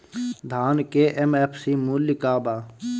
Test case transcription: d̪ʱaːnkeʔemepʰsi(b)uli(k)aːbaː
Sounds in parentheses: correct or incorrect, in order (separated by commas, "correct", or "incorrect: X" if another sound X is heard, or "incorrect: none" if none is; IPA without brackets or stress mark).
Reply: incorrect: m, correct